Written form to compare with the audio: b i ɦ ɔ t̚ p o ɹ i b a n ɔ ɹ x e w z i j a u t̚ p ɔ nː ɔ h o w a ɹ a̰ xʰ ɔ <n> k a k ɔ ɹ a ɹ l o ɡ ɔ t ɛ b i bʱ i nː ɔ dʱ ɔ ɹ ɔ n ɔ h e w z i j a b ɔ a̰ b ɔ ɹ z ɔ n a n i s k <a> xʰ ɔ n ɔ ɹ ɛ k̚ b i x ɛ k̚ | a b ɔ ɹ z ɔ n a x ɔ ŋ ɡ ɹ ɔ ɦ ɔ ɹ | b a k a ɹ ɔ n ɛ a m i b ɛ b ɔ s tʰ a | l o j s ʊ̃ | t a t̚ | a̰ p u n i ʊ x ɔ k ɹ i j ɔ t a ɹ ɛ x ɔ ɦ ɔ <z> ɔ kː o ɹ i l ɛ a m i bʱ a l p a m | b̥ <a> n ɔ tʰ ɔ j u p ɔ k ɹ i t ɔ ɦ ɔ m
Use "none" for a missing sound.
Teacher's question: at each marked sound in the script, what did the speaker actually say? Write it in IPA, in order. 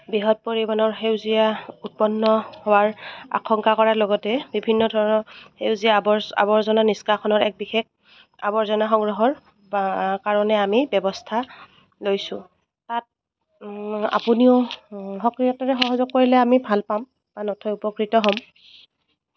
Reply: ŋ, a, z, a

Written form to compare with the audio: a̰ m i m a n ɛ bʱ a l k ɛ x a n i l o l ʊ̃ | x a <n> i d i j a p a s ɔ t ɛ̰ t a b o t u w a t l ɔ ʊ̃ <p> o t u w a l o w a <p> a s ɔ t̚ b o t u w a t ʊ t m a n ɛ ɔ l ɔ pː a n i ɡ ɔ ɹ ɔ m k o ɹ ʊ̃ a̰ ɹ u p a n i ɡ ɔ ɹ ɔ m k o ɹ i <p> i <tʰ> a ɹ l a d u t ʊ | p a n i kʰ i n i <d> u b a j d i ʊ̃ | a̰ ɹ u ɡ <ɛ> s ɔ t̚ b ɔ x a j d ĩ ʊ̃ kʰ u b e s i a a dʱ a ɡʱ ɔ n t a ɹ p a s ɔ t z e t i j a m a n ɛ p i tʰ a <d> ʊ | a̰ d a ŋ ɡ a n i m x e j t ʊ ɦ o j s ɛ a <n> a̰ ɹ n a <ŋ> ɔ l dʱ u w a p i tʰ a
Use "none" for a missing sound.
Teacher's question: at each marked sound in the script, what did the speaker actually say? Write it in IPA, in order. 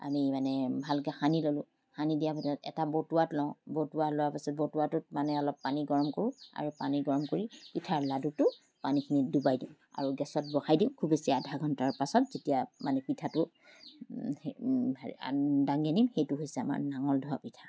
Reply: n, b, p, p, tʰ, d, ɛ, t, m, ŋ

